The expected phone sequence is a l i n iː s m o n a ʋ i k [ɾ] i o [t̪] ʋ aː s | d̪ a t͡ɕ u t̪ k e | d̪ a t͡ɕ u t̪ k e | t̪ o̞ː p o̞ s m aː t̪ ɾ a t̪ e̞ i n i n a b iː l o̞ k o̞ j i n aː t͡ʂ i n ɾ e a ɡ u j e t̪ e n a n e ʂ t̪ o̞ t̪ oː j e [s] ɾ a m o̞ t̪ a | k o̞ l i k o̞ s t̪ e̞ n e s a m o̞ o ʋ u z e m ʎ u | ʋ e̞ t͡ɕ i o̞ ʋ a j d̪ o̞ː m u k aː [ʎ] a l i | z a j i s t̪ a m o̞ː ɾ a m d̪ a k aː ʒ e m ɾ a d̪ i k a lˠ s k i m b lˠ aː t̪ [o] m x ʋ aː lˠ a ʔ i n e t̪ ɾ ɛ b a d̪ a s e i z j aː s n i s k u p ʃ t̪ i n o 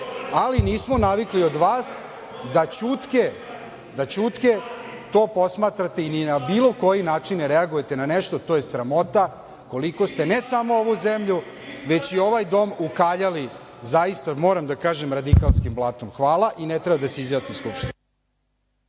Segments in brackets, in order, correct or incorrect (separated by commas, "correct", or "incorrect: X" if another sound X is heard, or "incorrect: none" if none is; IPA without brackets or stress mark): incorrect: l, incorrect: d̪, correct, correct, correct